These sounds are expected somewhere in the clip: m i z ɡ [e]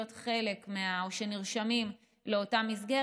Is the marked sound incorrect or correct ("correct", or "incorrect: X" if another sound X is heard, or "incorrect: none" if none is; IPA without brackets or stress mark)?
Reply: correct